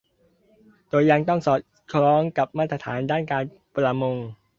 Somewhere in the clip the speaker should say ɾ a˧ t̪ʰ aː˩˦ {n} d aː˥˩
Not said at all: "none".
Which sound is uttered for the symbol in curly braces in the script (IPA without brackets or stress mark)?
n